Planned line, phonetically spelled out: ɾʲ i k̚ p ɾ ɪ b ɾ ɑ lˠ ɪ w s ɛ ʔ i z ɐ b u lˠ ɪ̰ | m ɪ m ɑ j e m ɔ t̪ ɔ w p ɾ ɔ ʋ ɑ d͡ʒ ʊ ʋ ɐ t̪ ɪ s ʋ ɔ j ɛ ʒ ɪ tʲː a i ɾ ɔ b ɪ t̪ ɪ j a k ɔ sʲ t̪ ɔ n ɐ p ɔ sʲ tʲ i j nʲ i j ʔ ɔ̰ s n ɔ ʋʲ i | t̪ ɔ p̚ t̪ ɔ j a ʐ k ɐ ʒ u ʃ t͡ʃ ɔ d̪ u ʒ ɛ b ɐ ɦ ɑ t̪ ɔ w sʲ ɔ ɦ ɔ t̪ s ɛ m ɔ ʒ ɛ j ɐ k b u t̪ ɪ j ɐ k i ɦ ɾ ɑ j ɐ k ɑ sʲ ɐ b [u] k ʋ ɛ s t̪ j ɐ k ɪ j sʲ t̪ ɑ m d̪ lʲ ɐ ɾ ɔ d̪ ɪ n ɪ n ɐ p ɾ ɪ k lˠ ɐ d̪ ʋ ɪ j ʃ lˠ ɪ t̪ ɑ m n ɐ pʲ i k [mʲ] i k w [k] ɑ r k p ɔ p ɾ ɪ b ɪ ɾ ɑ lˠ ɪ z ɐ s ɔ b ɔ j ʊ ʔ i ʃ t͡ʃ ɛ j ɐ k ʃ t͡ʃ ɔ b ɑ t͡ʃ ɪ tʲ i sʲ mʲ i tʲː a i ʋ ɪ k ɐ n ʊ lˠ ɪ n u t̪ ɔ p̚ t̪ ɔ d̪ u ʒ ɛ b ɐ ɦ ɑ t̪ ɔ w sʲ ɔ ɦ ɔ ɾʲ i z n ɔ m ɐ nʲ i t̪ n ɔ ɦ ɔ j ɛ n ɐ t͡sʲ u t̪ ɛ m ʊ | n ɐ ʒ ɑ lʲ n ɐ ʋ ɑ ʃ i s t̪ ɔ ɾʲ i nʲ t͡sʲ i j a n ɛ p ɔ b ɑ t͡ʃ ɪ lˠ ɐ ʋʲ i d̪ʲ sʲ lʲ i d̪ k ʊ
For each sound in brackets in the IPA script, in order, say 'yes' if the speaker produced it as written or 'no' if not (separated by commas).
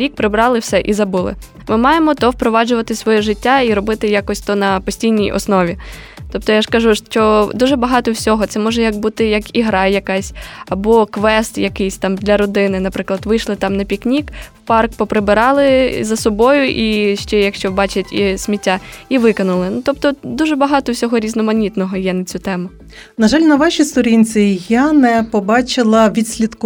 no, no, no